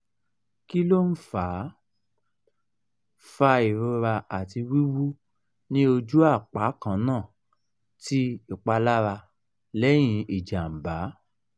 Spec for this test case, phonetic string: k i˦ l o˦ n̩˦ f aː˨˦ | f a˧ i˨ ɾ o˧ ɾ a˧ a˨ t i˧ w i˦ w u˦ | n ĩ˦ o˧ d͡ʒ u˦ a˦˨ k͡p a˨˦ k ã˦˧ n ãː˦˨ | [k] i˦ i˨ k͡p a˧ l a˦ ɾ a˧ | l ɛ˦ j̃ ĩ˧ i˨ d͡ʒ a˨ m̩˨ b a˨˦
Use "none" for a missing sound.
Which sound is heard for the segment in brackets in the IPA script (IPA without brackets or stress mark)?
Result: t